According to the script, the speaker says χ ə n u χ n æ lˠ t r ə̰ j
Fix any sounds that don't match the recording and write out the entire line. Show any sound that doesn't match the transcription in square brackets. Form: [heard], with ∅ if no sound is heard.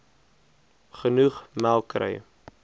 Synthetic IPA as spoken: χ ə n u χ [m] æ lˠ [k] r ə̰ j

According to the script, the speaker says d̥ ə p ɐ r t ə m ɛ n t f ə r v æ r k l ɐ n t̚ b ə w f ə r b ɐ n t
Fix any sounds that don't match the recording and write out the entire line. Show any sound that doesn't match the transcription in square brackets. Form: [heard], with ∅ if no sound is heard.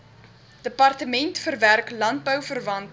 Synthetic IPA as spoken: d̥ ə p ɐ r t ə m ɛ n t f ə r v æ r k l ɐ n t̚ b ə w f ə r [v] ɐ n t

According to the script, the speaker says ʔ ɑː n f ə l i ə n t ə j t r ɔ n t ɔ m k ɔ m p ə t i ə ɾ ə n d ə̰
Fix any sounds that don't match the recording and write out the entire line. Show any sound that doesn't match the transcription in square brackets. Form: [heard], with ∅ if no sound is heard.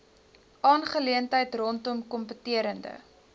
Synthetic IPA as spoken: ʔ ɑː n [χ] ə l i ə n t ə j t r ɔ n t ɔ m k ɔ m p ə t i ə ɾ ə n d ə̰

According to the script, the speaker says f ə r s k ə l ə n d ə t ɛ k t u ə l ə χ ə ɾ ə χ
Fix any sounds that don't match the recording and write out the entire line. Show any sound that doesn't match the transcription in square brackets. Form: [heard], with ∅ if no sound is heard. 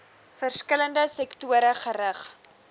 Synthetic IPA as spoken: f ə r s k ə l ə n d ə [s] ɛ k t u ə [ɾ] ə χ ə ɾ ə χ

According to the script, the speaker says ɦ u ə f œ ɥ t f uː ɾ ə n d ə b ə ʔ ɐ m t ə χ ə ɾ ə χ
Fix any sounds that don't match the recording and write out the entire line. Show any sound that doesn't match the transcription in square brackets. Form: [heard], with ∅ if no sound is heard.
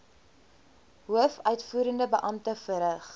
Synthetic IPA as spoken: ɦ u ə f œ ɥ t f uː ɾ ə n d ə b ə ʔ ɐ m t ə [f] ə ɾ ə χ

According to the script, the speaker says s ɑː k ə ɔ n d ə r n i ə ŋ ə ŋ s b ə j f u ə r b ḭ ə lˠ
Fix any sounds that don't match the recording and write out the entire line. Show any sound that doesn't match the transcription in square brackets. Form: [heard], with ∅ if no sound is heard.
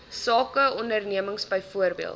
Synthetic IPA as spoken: s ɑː k ə ɔ n d ə r n i ə [m] ə ŋ s b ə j f u ə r b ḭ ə lˠ

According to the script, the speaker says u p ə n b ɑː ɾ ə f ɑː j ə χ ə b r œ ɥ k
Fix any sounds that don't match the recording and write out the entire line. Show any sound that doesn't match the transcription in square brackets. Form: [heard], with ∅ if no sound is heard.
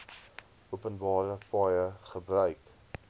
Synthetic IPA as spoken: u p ə n b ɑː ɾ ə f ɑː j ə χ ə b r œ ɥ k

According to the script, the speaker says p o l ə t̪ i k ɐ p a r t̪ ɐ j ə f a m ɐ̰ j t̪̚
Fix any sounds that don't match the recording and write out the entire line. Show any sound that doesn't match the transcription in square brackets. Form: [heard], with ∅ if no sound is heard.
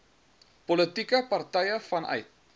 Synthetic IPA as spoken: p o l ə t̪ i k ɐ p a r t̪ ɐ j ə f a [n] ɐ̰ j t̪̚

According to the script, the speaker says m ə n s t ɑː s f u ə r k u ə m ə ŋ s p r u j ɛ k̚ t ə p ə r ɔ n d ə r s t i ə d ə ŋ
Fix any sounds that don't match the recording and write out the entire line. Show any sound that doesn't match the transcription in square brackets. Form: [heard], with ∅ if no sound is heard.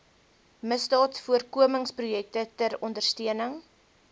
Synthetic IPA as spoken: m ə [∅] s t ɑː [t] f u ə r k u ə m ə ŋ s p r u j ɛ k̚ t ə [t] ə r ɔ n d ə r s t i ə [n] ə ŋ

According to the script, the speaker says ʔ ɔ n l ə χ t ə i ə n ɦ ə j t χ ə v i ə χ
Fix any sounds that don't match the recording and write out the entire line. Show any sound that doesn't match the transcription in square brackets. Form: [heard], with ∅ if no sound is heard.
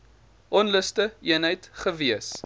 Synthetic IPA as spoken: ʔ ɔ n l ə [s] t ə i ə n ɦ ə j t χ ə v i ə [s]

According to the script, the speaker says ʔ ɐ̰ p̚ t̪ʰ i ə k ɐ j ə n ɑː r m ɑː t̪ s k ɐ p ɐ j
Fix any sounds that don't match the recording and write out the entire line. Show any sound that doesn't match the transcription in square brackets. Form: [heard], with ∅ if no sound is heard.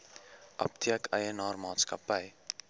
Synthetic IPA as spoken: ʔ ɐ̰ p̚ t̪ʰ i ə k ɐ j ə n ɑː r m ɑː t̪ s k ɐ p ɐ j

